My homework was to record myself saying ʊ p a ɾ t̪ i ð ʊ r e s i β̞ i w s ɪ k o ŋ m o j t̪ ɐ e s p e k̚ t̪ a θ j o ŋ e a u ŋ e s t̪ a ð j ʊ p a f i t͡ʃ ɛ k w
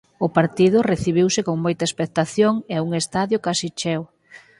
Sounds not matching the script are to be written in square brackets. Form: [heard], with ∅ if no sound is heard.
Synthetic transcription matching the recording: ʊ p a ɾ t̪ i ð ʊ r e [θ] i β̞ i w s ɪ k o ŋ m o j t̪ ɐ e s p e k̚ t̪ a θ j o ŋ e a u ŋ e s t̪ a ð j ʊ [k] a [s] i t͡ʃ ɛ [∅] w